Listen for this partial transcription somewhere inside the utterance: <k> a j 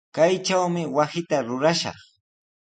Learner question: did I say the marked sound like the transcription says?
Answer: yes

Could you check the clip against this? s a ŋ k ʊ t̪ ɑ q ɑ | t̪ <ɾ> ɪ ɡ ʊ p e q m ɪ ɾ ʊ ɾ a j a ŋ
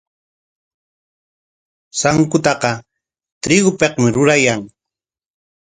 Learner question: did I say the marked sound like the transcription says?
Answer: yes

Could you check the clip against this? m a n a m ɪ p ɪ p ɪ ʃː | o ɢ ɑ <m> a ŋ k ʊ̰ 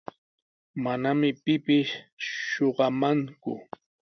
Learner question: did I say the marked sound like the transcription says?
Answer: yes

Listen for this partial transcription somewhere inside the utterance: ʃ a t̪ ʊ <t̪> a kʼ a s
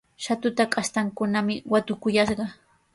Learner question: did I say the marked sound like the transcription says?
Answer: yes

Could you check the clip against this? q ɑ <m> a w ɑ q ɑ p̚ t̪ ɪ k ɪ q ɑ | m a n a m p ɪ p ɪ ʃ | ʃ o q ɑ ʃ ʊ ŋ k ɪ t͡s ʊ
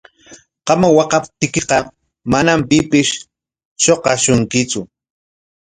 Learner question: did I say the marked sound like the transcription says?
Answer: yes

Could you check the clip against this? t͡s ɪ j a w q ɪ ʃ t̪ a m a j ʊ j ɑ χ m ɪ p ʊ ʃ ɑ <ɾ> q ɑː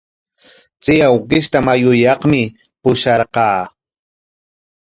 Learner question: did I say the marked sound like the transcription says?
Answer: yes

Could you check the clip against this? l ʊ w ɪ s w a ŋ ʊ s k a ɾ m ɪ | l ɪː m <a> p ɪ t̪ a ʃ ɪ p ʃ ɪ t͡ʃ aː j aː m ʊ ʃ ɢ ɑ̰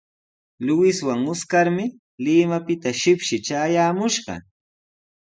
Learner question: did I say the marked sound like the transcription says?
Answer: yes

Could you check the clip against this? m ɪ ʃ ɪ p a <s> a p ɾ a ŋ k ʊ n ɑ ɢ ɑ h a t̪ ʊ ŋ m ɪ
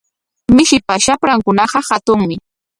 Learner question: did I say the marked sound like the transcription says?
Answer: no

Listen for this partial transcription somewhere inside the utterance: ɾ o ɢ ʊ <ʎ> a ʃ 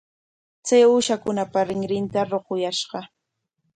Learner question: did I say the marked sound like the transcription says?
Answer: no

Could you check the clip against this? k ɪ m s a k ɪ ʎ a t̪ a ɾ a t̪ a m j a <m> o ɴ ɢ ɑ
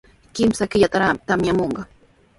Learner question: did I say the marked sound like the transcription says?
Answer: yes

